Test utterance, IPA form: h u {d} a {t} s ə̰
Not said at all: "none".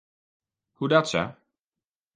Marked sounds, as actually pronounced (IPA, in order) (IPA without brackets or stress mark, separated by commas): d, t